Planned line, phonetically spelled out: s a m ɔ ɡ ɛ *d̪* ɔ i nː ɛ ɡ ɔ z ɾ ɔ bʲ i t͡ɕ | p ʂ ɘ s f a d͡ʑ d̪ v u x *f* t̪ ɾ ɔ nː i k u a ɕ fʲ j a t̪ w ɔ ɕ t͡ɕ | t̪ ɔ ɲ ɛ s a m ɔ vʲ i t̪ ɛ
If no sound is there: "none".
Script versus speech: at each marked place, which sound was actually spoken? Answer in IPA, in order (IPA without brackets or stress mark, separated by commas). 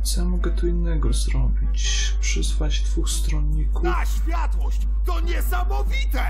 t̪, s